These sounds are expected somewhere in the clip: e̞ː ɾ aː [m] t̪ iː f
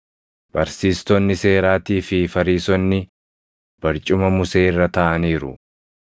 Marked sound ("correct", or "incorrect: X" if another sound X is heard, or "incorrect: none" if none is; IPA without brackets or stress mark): incorrect: none